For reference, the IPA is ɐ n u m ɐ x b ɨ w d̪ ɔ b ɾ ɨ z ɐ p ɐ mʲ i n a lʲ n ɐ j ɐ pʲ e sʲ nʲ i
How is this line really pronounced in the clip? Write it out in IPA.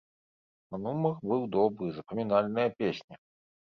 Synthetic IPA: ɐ n u m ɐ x b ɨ w d̪ ɔ b ɾ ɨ z ɐ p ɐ mʲ i n a lʲ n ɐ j ɐ pʲ e sʲ nʲ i